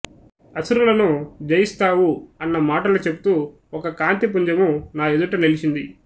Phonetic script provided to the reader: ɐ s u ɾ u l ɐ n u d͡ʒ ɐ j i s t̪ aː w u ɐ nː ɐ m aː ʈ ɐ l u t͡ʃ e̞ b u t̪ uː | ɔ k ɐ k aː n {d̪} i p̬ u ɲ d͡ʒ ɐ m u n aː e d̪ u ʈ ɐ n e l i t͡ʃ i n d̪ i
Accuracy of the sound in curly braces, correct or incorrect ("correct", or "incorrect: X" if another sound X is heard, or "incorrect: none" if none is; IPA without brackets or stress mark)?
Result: incorrect: t̪